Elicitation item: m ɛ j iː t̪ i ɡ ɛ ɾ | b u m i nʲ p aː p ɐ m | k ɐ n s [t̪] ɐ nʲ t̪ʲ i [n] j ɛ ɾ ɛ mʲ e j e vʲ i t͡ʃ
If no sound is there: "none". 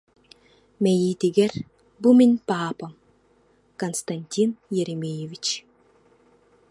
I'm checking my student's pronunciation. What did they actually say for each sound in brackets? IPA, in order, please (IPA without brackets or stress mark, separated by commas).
t̪, n